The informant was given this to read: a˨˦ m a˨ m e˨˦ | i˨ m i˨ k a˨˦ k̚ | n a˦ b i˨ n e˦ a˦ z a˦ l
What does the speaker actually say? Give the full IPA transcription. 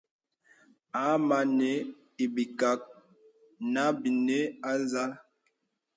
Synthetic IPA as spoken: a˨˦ m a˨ n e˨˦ | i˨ b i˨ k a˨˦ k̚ | n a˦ b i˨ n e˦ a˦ z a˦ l